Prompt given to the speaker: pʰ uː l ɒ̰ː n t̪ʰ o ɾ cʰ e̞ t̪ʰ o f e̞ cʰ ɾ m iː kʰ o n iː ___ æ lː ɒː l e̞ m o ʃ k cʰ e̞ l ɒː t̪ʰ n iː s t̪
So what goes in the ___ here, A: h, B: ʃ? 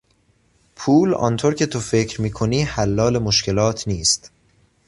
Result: A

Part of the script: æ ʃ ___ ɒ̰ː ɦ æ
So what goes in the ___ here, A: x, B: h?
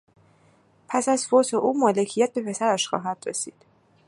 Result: A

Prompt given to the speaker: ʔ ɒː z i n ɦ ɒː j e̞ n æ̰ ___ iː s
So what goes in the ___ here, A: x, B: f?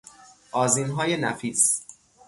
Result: B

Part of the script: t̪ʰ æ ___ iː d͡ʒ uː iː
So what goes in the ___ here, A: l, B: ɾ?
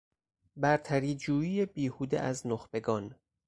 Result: B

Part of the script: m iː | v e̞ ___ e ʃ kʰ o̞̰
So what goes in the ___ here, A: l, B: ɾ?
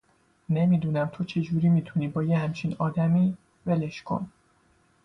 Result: A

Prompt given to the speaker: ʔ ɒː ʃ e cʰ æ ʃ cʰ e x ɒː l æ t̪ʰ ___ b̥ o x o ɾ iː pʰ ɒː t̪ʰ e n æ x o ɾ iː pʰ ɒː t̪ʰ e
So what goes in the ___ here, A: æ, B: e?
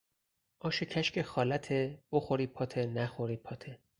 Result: B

